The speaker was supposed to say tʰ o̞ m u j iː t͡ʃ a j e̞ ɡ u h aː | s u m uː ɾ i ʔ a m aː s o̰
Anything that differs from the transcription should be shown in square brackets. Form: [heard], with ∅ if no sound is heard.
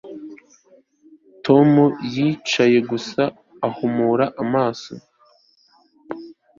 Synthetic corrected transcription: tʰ o̞ m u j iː t͡ʃ a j e̞ ɡ u [s] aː | [h] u m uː ɾ [a] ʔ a m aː s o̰